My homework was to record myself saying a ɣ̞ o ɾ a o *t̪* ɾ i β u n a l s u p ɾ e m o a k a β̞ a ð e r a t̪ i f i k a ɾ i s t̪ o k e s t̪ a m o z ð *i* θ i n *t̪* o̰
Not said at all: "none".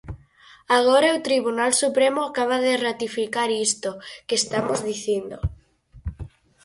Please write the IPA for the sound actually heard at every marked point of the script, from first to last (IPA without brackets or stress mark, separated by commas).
t̪, i, d̪